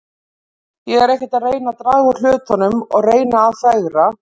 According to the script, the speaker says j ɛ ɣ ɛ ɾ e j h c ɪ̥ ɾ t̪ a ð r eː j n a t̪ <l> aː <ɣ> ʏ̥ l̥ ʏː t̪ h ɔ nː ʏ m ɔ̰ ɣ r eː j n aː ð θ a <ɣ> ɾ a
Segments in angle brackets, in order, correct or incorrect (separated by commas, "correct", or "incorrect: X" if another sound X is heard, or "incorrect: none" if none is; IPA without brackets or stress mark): incorrect: ɾ, correct, correct